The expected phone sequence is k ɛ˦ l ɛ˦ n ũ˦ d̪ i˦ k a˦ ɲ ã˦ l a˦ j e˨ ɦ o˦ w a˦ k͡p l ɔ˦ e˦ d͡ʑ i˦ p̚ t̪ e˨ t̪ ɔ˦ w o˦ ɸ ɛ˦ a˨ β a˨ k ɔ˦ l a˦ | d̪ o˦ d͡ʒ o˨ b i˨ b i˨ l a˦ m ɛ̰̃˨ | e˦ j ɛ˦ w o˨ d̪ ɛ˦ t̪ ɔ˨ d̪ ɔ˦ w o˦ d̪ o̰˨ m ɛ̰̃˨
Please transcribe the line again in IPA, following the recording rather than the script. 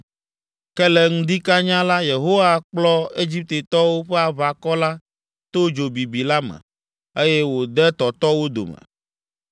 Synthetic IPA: k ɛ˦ l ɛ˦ ŋ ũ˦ d̪ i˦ k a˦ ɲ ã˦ l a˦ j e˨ ɦ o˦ w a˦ k͡p l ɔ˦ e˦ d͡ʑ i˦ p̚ t̪ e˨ t̪ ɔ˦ w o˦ ɸ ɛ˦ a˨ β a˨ k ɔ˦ l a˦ | t̪ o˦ d͡ʒ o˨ b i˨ b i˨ l a˦ m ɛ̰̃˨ | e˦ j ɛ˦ w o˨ d̪ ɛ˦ t̪ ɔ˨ t̪ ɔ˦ w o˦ d̪ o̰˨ m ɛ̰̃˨